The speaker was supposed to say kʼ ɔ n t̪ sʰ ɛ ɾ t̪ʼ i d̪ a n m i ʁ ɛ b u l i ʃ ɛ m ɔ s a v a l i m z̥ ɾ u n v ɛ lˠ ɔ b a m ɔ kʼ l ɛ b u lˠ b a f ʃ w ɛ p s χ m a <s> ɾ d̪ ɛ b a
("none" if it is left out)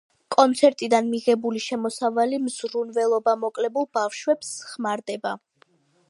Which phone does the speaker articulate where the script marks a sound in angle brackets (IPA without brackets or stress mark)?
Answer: none